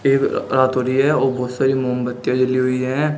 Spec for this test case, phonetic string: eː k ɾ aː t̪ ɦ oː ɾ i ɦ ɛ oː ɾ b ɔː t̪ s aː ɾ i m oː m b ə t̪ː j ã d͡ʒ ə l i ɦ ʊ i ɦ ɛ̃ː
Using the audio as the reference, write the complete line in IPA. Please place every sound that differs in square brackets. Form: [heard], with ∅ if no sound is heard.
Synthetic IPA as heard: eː k ɾ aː t̪ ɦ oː ɾ i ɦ ɛ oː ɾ b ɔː t̪ s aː ɾ i m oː m b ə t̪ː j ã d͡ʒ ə l i ɦ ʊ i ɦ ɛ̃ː